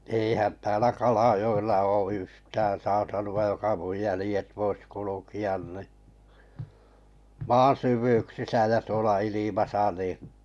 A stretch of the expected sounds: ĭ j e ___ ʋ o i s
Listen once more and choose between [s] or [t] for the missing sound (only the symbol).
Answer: t